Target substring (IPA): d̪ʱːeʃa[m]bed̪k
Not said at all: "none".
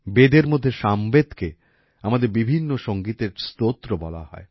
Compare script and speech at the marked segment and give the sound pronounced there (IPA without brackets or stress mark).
m